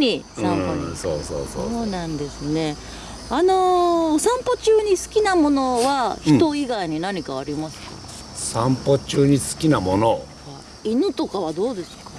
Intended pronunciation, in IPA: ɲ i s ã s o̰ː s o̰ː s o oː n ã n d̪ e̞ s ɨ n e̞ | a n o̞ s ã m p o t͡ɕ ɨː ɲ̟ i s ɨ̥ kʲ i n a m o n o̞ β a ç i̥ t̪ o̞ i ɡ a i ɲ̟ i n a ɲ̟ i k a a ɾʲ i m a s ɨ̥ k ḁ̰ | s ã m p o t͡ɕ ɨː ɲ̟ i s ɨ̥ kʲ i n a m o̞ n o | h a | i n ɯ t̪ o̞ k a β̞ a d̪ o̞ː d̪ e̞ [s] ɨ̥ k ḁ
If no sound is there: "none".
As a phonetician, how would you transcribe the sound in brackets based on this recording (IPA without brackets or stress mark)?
s